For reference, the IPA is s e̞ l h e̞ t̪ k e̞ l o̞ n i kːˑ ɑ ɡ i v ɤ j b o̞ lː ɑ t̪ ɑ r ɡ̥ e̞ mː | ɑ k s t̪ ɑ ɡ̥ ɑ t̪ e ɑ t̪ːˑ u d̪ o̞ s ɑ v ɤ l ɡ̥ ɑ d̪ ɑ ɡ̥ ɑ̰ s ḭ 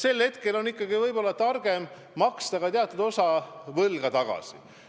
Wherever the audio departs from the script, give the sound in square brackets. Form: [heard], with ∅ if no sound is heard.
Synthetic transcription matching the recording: s e̞ l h e̞ t̪ k e̞ l o̞ n i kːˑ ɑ ɡ i v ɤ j b o̞ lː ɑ t̪ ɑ r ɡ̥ e̞ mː | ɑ k s t̪ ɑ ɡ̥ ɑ t̪ e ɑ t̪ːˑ u d̪ o̞ s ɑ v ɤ l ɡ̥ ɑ [t̪] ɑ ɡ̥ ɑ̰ s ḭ